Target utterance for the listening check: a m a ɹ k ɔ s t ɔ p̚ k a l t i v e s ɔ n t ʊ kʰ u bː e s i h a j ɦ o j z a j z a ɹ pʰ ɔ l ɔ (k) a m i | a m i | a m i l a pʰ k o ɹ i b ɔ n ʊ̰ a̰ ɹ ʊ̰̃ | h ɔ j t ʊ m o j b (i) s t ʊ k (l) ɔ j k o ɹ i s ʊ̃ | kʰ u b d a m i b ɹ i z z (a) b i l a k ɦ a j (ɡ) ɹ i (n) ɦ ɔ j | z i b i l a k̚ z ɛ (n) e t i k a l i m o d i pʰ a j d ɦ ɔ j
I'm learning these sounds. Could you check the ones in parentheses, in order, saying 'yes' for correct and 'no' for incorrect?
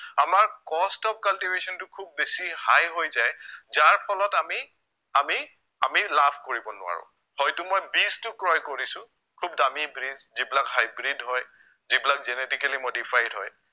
no, yes, no, no, no, no, yes

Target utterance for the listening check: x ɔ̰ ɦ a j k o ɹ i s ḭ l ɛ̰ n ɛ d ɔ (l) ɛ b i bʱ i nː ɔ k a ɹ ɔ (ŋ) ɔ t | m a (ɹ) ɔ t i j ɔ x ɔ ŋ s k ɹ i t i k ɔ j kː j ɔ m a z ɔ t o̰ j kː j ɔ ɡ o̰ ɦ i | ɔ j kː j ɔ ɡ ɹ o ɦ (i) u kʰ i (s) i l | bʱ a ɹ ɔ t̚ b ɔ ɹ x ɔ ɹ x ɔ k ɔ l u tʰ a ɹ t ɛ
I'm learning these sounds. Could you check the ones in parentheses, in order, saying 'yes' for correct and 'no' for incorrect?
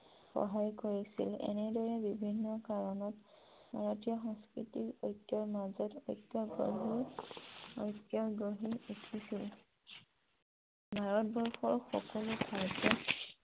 no, no, yes, yes, yes

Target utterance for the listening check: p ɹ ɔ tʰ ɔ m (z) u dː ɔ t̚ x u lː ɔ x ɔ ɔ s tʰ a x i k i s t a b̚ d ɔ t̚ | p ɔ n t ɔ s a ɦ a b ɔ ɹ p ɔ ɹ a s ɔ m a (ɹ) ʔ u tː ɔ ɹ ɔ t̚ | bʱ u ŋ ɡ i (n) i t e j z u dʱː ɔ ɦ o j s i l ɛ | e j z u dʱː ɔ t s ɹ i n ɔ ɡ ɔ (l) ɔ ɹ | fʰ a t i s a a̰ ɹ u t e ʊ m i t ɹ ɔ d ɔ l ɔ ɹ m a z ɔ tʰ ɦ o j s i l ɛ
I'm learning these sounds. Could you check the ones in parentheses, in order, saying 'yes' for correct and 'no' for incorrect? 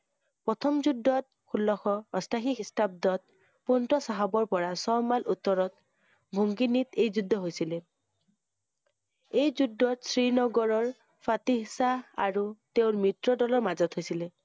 yes, no, yes, no

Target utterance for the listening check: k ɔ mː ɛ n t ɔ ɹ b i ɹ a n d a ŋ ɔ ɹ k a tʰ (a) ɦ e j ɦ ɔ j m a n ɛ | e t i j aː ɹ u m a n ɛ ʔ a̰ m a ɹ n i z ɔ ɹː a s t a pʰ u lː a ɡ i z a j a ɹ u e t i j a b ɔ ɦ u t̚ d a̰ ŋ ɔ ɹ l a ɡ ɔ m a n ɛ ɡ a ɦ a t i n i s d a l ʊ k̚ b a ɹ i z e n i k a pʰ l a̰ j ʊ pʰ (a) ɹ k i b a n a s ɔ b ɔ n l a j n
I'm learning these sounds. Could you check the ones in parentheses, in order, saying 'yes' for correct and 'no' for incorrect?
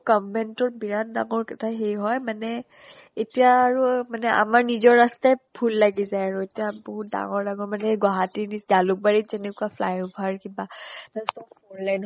yes, yes

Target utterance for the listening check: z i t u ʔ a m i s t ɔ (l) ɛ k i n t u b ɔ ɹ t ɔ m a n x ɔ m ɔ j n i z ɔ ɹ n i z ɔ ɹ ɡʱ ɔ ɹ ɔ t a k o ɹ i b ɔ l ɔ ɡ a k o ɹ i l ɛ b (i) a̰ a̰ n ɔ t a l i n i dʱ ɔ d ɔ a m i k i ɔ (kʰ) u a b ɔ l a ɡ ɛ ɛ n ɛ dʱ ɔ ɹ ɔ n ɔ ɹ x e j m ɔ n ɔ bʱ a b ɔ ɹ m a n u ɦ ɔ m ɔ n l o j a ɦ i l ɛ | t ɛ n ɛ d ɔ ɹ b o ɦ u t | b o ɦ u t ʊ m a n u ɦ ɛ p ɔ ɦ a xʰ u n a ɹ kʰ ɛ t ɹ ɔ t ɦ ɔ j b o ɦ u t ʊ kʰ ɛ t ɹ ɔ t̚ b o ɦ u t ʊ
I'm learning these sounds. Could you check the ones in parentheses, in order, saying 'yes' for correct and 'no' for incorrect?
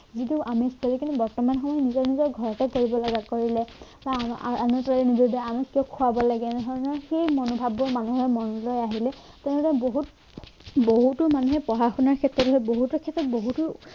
yes, no, yes

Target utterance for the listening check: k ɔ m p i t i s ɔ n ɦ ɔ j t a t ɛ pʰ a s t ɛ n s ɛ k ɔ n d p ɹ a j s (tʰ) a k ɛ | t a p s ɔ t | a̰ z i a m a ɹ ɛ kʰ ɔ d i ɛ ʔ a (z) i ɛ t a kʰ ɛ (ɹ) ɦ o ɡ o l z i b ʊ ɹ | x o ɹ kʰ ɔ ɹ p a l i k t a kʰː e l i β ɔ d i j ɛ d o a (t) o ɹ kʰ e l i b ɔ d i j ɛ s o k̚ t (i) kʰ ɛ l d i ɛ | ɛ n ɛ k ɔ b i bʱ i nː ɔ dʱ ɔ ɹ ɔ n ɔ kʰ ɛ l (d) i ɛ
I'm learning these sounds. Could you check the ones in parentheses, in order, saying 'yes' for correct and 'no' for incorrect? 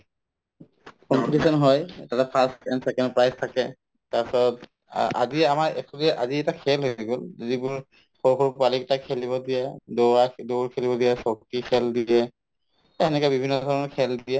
yes, yes, no, no, yes, yes

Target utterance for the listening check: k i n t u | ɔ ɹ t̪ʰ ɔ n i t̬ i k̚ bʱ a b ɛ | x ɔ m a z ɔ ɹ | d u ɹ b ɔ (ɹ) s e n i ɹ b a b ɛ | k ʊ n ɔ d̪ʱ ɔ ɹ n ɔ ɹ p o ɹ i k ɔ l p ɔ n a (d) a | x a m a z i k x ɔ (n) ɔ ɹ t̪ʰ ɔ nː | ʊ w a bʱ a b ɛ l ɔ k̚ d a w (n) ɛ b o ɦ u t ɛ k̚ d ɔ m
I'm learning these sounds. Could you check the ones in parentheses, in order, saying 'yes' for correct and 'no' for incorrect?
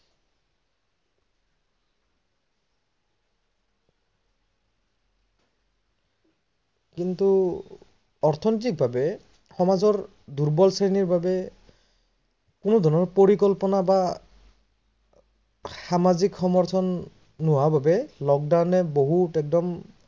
no, no, no, yes

